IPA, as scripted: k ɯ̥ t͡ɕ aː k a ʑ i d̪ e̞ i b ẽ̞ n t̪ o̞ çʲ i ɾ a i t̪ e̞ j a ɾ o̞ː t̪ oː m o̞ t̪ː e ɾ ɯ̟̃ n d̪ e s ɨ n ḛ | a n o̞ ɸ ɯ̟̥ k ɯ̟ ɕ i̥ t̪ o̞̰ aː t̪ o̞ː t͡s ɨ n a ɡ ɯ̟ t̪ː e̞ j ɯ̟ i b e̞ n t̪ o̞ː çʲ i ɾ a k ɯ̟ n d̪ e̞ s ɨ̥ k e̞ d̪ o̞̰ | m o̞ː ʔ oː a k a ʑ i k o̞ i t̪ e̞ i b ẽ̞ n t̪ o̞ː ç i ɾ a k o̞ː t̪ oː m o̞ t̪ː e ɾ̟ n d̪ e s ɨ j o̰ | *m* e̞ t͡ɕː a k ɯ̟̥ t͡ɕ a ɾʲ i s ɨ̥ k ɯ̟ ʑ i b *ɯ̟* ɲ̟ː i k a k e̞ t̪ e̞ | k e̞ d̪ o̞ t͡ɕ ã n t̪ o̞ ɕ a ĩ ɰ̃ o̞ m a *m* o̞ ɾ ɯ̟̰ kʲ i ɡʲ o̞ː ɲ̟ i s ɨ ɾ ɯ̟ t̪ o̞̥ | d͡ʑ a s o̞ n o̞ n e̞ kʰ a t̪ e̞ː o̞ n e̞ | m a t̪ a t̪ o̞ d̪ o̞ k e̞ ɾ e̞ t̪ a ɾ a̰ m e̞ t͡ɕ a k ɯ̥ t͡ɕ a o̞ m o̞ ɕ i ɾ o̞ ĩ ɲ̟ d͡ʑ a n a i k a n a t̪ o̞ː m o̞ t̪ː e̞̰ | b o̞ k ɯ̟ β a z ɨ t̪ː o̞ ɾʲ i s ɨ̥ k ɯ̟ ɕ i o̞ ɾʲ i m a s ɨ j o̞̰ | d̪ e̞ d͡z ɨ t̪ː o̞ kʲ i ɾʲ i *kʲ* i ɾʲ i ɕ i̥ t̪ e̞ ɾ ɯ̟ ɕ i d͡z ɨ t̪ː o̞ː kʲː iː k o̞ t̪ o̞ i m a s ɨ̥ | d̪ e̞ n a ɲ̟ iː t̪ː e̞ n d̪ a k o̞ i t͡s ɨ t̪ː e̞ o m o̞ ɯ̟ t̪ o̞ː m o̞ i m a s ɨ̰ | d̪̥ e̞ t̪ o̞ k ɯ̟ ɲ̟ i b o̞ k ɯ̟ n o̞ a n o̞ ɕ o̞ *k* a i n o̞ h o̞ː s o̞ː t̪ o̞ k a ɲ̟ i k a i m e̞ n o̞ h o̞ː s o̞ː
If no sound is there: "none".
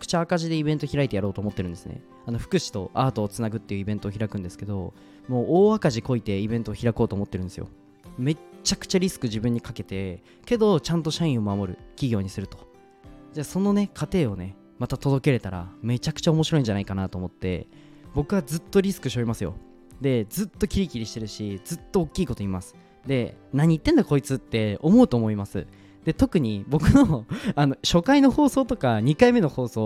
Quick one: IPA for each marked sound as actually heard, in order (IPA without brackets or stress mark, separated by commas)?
m, ɯ̟̃, m, kʲ, k